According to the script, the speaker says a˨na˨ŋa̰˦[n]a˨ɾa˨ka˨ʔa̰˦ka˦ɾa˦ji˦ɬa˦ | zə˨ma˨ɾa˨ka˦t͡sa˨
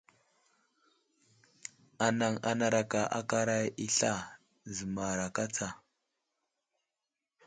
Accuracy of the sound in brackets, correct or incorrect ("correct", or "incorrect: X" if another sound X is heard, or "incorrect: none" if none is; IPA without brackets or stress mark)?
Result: correct